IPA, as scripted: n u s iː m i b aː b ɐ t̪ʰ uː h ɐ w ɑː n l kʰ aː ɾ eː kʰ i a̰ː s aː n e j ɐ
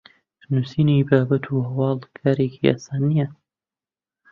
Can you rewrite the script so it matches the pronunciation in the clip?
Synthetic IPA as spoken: n u s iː n i b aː b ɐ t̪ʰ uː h ɐ w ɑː l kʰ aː ɾ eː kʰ i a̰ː s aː n i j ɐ